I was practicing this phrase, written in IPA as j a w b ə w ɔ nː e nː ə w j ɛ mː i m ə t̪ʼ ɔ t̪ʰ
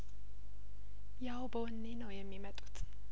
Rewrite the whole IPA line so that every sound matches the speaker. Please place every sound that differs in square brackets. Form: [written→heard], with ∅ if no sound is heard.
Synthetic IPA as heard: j a w b ə w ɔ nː e [nː→n] ə w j ɛ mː i m ə t̪ʼ [ɔ→u] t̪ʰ